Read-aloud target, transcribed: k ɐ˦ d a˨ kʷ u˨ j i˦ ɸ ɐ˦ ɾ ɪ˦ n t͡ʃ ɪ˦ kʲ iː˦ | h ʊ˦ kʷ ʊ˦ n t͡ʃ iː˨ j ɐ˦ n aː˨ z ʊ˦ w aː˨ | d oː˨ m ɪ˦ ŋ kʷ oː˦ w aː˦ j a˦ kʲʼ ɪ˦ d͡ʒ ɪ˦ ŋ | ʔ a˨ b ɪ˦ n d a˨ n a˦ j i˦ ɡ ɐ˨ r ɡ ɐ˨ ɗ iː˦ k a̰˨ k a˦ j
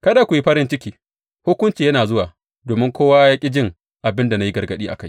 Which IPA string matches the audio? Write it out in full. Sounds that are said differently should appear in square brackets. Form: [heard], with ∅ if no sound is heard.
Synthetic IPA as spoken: k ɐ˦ d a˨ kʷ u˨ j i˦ ɸ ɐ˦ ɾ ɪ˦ n t͡ʃ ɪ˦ kʲ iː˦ | h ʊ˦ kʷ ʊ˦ n t͡ʃ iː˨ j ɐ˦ n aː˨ z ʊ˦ w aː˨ | d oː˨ m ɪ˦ ŋ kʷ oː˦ w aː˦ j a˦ kʲʼ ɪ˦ d͡ʒ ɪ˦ ŋ | ʔ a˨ b ɪ˦ n d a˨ n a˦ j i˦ ɡ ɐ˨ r ɡ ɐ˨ ɗ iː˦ [ʔ] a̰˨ k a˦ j